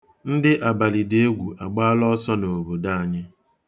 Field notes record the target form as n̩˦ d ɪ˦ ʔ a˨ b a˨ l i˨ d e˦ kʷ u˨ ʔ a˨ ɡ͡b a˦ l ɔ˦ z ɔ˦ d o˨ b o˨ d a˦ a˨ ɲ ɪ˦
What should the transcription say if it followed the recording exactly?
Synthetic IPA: n̩˦ d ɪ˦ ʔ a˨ b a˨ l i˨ d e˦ ɡʷ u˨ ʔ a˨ ɡ͡b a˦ l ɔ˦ s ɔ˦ n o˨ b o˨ d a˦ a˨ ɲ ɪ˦